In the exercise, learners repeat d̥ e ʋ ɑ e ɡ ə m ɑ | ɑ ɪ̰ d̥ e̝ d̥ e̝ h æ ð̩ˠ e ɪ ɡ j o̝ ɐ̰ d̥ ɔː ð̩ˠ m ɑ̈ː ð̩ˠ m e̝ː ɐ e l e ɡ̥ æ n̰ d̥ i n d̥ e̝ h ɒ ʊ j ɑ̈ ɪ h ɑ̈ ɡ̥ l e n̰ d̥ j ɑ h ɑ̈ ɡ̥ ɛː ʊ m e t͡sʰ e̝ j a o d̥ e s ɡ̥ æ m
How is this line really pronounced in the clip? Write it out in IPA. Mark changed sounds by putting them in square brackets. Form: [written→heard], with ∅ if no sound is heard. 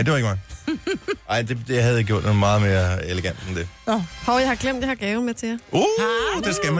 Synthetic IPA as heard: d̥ e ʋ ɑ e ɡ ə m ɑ | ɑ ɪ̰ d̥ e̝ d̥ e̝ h æ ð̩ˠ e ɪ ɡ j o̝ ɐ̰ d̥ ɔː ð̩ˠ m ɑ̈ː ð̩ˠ m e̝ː ɐ e l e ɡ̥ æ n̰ d̥ [i→e] n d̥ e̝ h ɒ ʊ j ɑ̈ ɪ h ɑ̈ ɡ̥ l e [n̰→m̰] d̥ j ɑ h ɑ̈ ɡ̥ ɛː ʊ m e t͡sʰ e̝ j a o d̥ e s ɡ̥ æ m